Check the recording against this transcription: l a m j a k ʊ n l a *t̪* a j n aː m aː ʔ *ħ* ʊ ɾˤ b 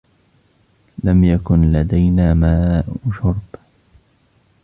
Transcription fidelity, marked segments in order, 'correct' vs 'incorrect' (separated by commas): incorrect, incorrect